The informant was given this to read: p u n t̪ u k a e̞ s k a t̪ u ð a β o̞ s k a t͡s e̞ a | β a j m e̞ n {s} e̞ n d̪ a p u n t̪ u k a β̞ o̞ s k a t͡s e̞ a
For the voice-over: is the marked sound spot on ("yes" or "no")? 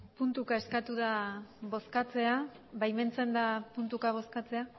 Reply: no